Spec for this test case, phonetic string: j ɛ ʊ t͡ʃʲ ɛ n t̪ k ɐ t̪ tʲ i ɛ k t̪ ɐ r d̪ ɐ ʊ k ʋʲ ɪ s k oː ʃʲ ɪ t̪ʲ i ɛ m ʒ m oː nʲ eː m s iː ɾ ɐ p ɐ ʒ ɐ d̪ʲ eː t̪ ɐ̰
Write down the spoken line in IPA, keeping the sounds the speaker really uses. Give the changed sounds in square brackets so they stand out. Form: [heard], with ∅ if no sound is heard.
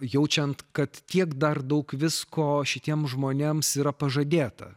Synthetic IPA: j ɛ ʊ t͡ʃʲ ɛ n t̪ k ɐ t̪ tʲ i ɛ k [d̪] ɐ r d̪ ɐ ʊ k ʋʲ ɪ s k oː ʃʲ ɪ t̪ʲ i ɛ m ʒ m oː nʲ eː m s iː ɾ ɐ p ɐ ʒ ɐ d̪ʲ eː t̪ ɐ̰